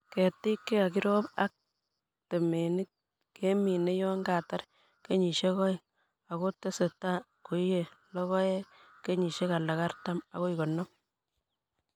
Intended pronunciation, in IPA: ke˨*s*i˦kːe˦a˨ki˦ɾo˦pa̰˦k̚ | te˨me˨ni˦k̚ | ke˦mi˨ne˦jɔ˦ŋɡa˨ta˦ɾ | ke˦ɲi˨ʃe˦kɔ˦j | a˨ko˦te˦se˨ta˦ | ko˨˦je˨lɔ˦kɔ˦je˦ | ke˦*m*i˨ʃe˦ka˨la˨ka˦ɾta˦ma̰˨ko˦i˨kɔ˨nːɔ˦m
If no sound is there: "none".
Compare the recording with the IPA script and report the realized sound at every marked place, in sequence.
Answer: t, ɲ

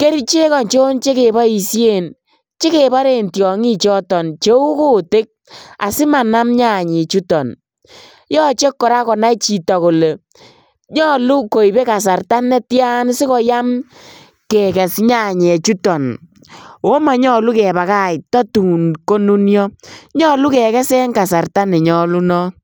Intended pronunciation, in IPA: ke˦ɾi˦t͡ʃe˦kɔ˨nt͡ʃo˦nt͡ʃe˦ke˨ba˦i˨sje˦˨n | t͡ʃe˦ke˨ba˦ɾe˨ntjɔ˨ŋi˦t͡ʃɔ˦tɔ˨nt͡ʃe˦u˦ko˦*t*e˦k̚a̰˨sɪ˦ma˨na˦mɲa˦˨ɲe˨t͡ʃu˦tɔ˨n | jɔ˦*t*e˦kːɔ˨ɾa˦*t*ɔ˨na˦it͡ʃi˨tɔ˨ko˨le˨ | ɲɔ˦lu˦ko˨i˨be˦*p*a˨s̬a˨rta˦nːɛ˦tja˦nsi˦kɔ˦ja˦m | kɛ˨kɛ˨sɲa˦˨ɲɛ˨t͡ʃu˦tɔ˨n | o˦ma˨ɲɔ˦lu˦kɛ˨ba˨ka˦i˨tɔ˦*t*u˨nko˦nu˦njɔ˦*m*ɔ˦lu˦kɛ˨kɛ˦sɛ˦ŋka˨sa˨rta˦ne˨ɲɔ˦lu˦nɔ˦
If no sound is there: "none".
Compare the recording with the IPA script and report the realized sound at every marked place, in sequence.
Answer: t, t͡ʃ, k, k, t, ɲ

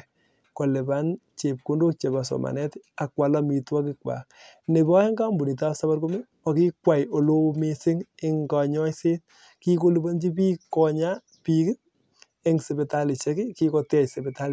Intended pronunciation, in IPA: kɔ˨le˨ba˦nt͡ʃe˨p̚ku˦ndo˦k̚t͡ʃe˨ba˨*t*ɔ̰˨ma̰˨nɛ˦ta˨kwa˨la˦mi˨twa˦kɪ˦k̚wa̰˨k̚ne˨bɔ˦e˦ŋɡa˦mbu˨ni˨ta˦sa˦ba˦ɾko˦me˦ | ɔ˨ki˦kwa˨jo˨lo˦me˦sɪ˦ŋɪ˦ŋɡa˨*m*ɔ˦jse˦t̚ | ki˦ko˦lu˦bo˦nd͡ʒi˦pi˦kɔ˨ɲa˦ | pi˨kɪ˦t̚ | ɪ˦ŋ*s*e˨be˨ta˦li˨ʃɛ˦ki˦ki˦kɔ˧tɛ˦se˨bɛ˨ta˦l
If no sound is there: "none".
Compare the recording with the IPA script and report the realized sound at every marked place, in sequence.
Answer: s, ɲ, s

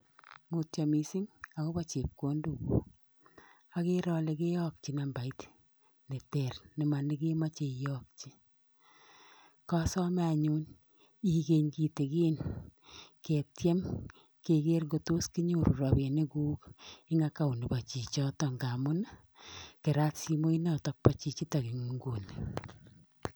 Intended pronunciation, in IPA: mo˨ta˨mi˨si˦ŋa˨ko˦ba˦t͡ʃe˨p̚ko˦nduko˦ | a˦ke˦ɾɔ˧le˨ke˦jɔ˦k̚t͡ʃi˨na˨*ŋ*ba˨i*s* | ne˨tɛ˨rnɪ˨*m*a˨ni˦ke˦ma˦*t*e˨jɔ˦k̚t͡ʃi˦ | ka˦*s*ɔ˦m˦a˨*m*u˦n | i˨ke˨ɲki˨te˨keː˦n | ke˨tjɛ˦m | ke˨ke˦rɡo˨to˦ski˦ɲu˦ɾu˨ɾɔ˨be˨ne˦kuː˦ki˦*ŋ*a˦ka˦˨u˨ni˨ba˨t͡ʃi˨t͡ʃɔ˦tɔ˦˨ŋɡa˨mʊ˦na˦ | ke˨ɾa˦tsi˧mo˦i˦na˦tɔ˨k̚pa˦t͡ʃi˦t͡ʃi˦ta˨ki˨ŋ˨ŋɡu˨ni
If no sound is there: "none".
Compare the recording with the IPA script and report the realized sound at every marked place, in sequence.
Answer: m, t, m, t͡ʃ, s, ɲ, ŋ

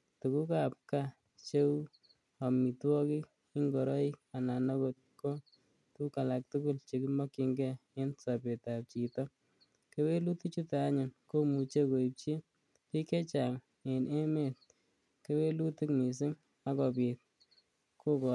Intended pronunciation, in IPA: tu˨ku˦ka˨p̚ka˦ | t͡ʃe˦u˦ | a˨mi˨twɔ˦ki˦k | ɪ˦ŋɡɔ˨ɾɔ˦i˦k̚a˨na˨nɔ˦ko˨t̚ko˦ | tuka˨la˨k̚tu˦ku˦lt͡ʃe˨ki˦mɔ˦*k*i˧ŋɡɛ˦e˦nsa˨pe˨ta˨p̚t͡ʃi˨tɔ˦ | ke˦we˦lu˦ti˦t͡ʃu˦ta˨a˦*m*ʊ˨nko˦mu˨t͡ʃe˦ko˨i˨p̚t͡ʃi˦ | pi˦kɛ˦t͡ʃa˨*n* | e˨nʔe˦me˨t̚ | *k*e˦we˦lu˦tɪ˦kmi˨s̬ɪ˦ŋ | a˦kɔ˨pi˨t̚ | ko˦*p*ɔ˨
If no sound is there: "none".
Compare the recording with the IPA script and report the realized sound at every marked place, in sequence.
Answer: k, ɲ, ŋ, k, k

